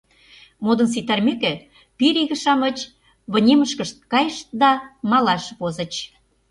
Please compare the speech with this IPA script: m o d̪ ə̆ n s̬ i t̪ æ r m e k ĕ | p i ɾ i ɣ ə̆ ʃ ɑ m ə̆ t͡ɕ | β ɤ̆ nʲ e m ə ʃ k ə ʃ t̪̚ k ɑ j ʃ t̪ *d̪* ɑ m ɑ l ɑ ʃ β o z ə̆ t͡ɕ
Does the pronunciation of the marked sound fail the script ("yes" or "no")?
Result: no